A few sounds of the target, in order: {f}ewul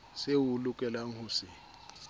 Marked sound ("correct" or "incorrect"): incorrect